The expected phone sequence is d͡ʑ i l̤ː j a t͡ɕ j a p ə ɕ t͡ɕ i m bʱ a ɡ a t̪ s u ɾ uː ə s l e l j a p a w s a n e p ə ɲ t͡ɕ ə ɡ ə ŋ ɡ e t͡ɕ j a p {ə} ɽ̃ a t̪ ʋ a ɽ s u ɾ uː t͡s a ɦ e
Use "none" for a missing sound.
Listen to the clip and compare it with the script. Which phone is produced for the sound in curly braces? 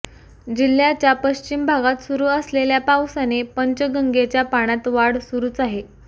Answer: a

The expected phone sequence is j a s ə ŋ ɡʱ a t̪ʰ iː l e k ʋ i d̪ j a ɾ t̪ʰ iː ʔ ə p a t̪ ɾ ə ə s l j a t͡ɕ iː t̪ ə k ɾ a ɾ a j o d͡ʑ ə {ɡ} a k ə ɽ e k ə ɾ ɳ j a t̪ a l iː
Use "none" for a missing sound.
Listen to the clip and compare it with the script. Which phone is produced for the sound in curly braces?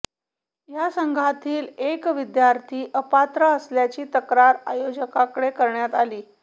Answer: k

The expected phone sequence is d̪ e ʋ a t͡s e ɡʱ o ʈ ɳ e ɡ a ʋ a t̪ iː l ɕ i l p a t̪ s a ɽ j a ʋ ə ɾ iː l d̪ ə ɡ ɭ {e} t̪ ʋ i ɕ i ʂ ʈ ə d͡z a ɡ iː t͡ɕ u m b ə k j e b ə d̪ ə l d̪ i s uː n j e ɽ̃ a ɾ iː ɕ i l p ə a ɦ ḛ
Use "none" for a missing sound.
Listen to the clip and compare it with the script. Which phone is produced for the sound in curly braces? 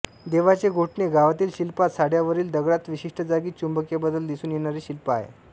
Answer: a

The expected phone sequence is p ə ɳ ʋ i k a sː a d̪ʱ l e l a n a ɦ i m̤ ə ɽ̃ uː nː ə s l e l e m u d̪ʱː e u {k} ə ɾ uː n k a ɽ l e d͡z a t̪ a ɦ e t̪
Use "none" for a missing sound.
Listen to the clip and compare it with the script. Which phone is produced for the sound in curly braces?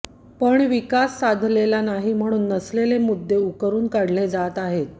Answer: k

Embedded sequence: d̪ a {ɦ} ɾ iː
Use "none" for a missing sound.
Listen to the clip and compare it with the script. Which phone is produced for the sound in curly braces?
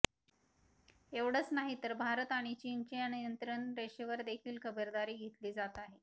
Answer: none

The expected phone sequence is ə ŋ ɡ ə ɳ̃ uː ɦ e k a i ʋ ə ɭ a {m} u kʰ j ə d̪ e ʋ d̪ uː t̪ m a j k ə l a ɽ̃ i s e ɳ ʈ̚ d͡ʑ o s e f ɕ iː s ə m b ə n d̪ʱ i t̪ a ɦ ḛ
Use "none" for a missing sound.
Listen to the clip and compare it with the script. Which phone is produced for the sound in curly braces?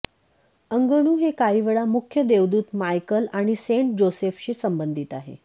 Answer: m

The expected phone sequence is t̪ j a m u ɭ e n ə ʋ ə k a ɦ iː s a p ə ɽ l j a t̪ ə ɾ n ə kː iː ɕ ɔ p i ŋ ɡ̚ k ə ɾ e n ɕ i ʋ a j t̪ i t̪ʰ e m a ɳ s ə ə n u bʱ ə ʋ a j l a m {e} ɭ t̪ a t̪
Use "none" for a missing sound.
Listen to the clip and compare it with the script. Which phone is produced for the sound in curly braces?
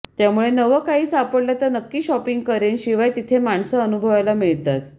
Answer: i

